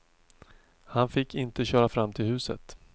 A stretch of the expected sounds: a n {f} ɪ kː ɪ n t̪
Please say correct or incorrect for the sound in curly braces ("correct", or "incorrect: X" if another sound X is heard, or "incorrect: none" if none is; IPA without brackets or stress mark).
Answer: correct